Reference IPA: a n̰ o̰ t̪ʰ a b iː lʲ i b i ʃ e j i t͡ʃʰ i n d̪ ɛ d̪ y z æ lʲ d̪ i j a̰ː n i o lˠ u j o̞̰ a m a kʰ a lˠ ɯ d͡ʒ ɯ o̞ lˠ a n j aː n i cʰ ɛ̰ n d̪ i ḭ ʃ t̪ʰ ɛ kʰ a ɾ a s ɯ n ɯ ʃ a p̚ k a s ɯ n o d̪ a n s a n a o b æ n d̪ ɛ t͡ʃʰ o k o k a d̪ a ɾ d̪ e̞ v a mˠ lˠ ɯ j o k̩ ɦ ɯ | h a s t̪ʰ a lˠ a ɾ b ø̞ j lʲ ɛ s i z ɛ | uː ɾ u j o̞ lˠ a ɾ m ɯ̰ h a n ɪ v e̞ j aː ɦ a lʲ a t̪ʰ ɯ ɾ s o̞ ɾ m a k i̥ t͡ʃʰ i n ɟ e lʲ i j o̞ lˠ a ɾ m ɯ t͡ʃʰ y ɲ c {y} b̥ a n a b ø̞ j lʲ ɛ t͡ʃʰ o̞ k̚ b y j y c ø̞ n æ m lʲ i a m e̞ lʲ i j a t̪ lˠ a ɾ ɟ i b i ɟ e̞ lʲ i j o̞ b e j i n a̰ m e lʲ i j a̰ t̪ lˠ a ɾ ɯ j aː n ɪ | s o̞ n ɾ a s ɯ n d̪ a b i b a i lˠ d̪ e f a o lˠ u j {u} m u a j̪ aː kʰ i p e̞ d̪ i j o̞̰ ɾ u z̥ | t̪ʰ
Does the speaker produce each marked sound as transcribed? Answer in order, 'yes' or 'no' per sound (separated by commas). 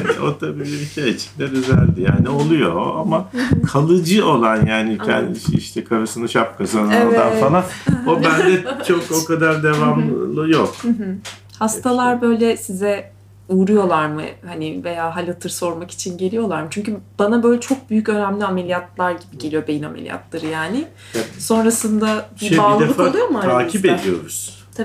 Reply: yes, no